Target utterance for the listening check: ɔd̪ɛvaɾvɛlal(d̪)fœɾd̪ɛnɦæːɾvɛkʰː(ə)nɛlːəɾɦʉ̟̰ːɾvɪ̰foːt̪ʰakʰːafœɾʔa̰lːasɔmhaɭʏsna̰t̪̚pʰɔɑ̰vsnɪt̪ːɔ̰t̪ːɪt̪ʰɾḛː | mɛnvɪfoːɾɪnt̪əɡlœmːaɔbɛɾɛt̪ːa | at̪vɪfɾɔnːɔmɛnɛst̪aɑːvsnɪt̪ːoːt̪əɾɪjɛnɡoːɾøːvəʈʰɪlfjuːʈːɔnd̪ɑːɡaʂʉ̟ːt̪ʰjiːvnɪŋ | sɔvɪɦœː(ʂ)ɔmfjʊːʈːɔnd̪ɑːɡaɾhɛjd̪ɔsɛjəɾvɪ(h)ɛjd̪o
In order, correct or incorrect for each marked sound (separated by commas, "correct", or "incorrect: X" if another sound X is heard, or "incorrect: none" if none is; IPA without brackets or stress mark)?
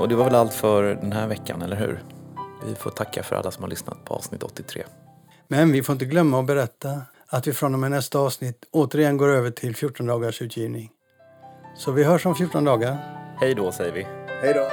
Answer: incorrect: t̪, incorrect: a, correct, correct